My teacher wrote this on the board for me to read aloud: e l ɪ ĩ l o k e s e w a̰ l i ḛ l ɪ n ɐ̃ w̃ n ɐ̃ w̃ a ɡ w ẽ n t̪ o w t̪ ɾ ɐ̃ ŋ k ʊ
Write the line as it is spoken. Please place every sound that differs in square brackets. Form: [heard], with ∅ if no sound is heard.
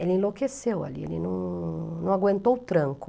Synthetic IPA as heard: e l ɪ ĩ l o k e s e w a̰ l i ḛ l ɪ n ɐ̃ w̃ n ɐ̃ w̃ a ɡ w ẽ n t̪ o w t̪ ɾ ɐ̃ ŋ k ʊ